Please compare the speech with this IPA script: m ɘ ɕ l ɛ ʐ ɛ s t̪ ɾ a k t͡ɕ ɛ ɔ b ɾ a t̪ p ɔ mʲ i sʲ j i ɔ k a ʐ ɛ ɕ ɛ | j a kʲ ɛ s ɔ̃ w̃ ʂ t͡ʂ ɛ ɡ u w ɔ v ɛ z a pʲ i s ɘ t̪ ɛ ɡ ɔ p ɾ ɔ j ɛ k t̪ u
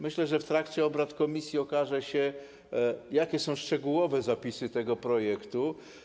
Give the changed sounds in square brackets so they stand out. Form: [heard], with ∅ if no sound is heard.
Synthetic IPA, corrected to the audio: m ɘ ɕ l ɛ ʐ ɛ [f] t̪ ɾ a k t͡ɕ ɛ ɔ b ɾ a t̪ [k] ɔ mʲ i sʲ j i ɔ k a ʐ ɛ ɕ ɛ | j a kʲ ɛ s ɔ̃ w̃ ʂ t͡ʂ ɛ ɡ u w ɔ v ɛ z a pʲ i s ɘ t̪ ɛ ɡ ɔ p ɾ ɔ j ɛ k t̪ u